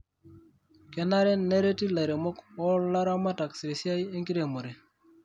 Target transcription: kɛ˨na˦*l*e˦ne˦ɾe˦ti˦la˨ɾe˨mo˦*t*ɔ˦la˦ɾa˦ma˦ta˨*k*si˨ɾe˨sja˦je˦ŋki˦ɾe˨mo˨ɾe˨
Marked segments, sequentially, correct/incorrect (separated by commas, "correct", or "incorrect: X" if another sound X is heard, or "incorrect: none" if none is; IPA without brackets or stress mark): incorrect: ɾ, incorrect: k, correct